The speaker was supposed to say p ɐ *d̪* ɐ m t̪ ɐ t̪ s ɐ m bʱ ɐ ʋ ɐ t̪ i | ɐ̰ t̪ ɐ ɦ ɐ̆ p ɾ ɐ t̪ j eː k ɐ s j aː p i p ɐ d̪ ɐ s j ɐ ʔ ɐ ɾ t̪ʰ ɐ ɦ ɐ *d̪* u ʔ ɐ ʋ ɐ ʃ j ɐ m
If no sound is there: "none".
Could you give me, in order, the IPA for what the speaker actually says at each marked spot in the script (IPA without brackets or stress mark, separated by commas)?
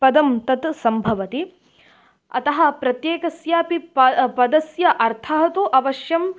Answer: d̪, t̪